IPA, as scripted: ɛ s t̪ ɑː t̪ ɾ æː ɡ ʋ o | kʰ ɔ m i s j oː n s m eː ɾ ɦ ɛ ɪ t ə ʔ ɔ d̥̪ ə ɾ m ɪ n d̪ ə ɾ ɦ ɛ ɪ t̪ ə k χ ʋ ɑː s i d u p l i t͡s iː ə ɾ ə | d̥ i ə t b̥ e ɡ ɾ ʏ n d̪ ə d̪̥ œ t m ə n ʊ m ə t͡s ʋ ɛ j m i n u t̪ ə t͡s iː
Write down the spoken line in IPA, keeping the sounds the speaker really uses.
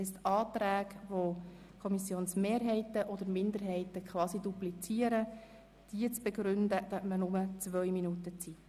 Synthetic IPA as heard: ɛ s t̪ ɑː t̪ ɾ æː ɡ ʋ o | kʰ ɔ m i s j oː n s m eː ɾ ɦ ɛ ɪ t ə ʔ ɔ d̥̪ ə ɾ m ɪ n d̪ ə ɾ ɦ ɛ ɪ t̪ ə k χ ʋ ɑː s i d u p l i t͡s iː ə ɾ ə | d̥ i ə t͡s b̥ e ɡ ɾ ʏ n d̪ ə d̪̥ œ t m ə n ʊ m ə t͡s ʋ œ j m i n u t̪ ə t͡s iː